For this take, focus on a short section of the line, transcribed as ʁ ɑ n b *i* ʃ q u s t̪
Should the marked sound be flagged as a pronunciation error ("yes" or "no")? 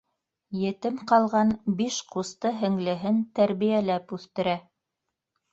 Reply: no